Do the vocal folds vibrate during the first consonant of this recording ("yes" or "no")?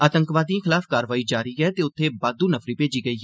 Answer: no